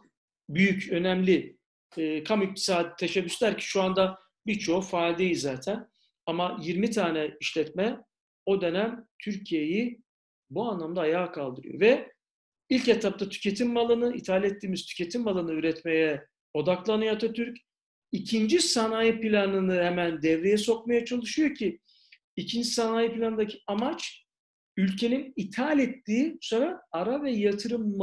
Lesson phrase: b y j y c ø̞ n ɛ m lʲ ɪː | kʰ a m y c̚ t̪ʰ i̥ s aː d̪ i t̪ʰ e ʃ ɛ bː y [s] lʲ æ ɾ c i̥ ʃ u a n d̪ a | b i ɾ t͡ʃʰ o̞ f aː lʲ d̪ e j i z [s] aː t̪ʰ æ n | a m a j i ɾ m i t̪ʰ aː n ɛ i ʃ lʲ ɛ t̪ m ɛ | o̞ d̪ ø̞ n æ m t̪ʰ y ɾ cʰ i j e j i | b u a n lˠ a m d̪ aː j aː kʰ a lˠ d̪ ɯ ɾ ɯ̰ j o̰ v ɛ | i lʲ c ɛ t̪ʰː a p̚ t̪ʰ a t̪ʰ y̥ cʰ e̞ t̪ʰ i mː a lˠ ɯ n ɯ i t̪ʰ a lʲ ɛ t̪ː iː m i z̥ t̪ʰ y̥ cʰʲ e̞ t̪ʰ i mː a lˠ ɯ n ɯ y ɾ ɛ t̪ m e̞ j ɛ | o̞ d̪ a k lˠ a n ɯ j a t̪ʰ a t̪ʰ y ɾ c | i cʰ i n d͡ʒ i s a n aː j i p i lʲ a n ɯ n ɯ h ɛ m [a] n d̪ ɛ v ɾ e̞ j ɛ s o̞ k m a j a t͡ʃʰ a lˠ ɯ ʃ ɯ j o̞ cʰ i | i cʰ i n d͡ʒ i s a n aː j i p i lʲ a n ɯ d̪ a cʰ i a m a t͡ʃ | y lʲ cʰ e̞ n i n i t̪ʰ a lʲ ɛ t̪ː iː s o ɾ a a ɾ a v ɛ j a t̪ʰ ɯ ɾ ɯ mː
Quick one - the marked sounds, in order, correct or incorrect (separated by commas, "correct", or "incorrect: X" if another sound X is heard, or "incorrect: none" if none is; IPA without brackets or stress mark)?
correct, incorrect: z, incorrect: æ